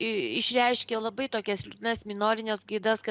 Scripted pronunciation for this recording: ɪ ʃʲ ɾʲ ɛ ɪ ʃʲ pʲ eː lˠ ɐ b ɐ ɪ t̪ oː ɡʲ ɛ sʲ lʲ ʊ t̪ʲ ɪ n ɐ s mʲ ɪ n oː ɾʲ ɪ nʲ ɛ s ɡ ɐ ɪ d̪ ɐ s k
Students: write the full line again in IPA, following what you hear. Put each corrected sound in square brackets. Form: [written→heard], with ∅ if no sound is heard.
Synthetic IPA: ɪ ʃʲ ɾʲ ɛ ɪ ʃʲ [pʲ→kʲ] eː lˠ ɐ b ɐ ɪ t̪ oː [ɡʲ→kʲ] ɛ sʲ lʲ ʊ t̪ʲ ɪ n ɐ s mʲ ɪ n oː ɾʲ ɪ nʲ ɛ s ɡ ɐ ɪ d̪ ɐ s k